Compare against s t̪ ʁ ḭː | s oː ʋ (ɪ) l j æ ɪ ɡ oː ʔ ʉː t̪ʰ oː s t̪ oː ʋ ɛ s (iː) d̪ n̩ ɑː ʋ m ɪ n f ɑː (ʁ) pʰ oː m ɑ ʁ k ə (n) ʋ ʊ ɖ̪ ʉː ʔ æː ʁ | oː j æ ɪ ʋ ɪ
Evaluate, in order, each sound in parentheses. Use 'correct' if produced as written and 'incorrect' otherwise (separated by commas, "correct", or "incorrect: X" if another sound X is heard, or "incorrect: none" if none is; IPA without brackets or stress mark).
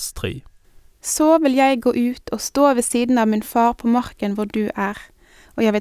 correct, correct, correct, correct